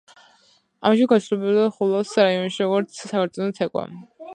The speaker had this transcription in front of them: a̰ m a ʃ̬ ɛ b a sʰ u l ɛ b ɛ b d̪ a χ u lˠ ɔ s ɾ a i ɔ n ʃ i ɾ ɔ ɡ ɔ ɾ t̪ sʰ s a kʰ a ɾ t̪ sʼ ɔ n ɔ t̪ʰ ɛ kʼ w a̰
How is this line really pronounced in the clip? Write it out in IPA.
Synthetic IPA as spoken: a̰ m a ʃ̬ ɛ ɡ a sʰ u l ɛ b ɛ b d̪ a χ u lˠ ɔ s ɾ a i ɔ n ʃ i ɾ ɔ ɡ ɔ ɾ t̪ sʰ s a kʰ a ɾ t̪ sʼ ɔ n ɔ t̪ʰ ɛ kʼ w a̰

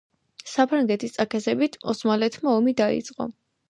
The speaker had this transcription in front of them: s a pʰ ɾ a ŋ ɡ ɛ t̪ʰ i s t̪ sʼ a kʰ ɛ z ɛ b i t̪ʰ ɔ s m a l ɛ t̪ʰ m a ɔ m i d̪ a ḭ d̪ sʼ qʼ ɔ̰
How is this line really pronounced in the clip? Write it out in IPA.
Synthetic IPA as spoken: s a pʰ ɾ a ŋ ɡ ɛ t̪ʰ i s t̪ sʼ a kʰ ɛ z ɛ b i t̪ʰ ɔ s m a l ɛ t̪ʰ m a ɔ m i d̪ a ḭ t̪ sʼ qʼ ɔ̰

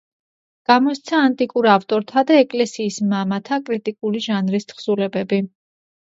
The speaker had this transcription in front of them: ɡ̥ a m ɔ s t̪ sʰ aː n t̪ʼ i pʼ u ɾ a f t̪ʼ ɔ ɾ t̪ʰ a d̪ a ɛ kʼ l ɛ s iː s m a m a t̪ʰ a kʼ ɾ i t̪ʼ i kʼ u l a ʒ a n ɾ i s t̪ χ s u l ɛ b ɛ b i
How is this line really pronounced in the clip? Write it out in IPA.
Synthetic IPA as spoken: ɡ̥ a m ɔ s t̪ sʰ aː n t̪ʼ i kʼ u ɾ a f t̪ʼ ɔ ɾ t̪ʰ a d̪ a ɛ kʼ l ɛ s iː s m a m a t̪ʰ a kʼ ɾ i t̪ʼ i kʼ u l i ʒ a n ɾ i s t̪ χ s u l ɛ b ɛ b i

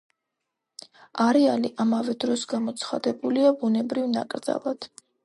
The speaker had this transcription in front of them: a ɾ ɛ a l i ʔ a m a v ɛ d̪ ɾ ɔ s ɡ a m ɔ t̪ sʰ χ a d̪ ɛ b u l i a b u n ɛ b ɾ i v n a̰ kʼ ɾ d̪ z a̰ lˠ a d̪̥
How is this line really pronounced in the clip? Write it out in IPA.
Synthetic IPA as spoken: a ɾ ɛ a l i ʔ a m a v ɛ d̪ ɾ ɔ s ɡ a m ɔ t̪ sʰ χ a d̪ ɛ b u l i a b u n ɛ b ɾ i v n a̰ kʼ ɾ d̪ z a̰ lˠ a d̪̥

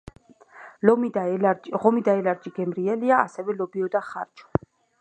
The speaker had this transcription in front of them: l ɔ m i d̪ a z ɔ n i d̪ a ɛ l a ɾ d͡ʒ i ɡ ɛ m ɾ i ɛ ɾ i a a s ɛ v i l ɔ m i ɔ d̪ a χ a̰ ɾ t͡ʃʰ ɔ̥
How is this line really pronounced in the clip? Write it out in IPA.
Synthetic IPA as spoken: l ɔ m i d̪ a ʁ ɔ m i d̪ a ɛ l a ɾ d͡ʒ i ɡ ɛ m ɾ i ɛ l i a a s ɛ v ɛ l ɔ b i ɔ d̪ a χ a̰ ɾ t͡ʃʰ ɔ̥

